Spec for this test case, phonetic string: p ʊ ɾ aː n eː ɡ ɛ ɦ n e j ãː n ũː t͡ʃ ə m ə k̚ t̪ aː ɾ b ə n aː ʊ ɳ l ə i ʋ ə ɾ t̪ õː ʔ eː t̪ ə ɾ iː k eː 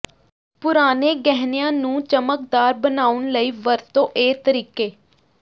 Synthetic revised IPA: p ʊ ɾ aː n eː ɡ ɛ ɦ n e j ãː n ũː t͡ʃ ə m ə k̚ d̪ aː ɾ b ə n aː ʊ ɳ l ə iː ʋ ə ɾ t̪ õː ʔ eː t̪ ə ɾ iː k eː